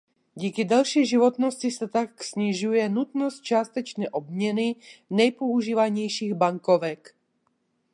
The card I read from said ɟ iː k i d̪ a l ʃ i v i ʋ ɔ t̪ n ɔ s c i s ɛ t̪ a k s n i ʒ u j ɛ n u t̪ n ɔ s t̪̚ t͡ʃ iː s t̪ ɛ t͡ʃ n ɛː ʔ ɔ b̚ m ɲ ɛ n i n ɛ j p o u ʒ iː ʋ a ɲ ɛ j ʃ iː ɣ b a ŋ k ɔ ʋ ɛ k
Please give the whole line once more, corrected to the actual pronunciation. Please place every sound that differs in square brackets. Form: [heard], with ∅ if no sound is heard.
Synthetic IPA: ɟ iː k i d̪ a l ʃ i [ʒ] i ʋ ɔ t̪ n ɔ s c i s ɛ t̪ a k s [ɲ] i ʒ u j ɛ n u t̪ n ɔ s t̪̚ t͡ʃ [aː] s t̪ ɛ t͡ʃ n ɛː ʔ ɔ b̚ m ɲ ɛ n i n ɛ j p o u ʒ iː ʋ a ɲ ɛ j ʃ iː ɣ b a ŋ k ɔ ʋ ɛ k